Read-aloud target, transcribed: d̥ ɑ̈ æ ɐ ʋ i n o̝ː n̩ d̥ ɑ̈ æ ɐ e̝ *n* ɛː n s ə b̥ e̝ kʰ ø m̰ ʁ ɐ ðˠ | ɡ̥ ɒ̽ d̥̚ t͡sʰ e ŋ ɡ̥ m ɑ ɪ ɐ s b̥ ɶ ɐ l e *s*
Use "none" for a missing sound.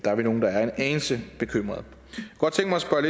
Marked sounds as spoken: n, none

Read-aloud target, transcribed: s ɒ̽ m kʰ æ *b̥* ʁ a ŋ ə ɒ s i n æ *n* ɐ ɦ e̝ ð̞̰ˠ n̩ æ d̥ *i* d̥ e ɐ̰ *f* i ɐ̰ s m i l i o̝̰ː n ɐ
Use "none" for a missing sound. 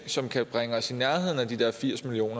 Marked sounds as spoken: b̥, none, i, f

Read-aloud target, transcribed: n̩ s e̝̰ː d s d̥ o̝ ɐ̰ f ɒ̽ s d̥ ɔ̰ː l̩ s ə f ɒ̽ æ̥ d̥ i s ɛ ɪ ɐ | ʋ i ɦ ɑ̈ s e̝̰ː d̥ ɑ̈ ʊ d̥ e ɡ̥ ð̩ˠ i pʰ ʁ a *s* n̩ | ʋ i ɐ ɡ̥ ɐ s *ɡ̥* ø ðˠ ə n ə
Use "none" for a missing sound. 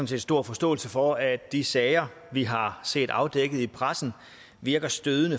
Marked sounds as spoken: s, d̥

